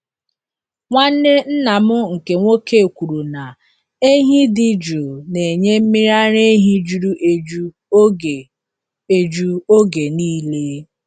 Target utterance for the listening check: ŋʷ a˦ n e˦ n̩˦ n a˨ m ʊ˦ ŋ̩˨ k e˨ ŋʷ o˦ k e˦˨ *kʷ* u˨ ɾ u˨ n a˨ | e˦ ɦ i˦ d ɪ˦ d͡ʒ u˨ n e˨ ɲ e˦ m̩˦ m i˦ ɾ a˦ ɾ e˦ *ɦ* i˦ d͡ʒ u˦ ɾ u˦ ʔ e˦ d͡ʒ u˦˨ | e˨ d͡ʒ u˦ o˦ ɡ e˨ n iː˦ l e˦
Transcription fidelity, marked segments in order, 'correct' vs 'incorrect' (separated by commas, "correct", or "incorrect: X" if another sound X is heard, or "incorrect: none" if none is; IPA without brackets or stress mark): correct, correct